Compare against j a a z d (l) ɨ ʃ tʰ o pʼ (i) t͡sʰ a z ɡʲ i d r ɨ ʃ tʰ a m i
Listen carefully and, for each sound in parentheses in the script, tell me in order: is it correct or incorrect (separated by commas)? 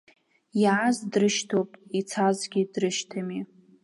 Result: incorrect, correct